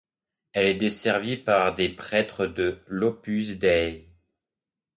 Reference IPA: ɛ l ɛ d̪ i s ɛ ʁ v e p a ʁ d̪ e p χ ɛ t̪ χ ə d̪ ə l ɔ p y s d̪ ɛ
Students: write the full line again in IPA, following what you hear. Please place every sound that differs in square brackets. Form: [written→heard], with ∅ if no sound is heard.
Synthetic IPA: ɛ l ɛ d̪ [i→e] s ɛ ʁ v [e→i] p a ʁ d̪ e p χ ɛ t̪ χ ə d̪ ə l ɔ p y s d̪ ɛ

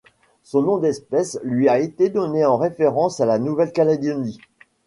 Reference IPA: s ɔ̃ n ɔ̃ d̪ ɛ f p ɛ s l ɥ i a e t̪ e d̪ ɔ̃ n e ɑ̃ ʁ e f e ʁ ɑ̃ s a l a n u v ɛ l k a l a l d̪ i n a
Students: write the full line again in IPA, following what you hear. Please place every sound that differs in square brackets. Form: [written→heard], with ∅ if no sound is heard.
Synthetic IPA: s ɔ̃ n ɔ̃ d̪ ɛ [f→s] p ɛ s l ɥ i a e t̪ e d̪ [ɔ̃→ɔ] n e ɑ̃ ʁ e f e ʁ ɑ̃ s a l a n u v ɛ l k a l a [l→∅] d̪ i n [a→i]

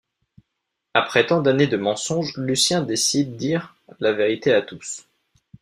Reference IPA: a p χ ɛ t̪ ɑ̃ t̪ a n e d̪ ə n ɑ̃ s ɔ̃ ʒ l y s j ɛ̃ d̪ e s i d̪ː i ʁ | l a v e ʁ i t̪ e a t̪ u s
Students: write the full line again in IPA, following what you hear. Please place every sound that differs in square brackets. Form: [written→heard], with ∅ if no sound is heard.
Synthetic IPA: a p χ ɛ t̪ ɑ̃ [t̪→d̪] a n e d̪ ə [n→m] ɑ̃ s ɔ̃ ʒ l y s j ɛ̃ d̪ e s i d̪ː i ʁ | l a v e ʁ i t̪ e a t̪ u s

